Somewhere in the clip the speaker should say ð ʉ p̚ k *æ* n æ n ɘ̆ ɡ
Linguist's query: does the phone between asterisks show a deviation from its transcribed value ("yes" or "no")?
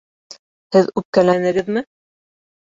no